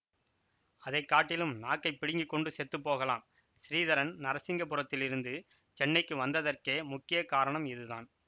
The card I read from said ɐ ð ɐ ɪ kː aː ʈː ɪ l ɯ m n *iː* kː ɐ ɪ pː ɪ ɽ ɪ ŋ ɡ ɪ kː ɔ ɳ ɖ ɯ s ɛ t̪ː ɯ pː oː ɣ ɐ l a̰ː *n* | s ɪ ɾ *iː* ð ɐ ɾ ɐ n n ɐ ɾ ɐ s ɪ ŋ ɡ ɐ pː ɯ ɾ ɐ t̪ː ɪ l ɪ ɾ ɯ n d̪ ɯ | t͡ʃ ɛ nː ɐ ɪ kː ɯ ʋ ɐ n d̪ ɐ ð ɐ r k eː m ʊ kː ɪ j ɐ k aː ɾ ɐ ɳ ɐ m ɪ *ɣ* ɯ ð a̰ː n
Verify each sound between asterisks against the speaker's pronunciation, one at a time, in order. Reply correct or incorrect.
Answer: incorrect, incorrect, correct, incorrect

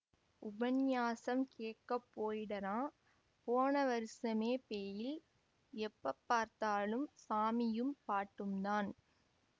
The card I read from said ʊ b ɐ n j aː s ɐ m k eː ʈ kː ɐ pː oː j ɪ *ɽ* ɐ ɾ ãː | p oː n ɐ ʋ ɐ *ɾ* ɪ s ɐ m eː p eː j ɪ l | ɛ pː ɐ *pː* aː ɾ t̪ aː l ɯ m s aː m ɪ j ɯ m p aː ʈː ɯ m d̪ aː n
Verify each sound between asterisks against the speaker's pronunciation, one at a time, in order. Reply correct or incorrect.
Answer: correct, correct, correct

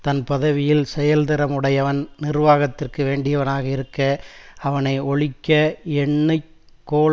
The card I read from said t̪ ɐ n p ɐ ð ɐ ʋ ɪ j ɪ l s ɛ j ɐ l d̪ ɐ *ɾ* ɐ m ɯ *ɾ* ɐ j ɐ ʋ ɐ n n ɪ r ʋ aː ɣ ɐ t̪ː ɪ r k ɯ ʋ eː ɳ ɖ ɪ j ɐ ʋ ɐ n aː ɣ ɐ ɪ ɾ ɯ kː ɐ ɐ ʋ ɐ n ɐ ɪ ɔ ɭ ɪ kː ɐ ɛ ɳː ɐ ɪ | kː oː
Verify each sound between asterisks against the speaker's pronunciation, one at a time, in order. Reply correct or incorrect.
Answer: correct, incorrect

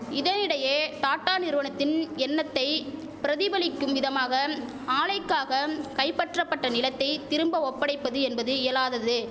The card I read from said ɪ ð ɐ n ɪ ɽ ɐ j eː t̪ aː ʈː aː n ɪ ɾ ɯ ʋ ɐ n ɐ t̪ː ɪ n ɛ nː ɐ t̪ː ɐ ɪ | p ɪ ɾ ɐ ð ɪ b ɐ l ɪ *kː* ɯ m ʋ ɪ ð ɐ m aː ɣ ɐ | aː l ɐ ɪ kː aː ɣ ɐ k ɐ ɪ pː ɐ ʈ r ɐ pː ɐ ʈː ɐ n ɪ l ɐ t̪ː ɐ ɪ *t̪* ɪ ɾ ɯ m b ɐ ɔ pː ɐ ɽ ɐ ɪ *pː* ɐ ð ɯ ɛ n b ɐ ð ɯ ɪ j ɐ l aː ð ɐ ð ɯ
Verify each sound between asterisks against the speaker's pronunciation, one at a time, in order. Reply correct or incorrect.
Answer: correct, correct, correct

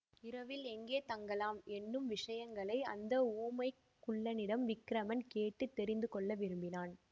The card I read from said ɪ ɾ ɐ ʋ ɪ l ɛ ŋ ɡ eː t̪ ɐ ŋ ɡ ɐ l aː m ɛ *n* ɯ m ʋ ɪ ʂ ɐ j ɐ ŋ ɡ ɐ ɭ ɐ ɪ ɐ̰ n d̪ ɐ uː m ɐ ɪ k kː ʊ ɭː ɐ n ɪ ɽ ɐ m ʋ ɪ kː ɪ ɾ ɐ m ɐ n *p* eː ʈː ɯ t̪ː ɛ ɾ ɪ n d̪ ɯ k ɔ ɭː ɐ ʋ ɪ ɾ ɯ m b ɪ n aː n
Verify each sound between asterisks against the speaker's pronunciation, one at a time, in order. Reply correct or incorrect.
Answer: incorrect, incorrect

